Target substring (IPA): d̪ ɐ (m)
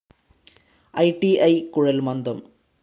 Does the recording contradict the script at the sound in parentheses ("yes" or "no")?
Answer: no